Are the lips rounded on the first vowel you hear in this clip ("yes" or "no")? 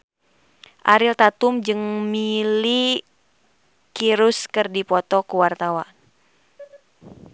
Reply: no